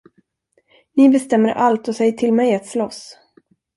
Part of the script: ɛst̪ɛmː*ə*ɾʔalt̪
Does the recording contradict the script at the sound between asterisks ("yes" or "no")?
no